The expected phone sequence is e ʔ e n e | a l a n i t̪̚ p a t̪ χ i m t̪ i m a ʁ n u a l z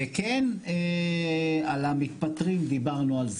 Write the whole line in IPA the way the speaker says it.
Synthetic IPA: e k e n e | a l a m i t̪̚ p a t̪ ʁ i m d̪ i b a ʁ n u a l z